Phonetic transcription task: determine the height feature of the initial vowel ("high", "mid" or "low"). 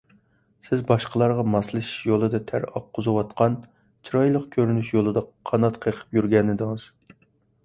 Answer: high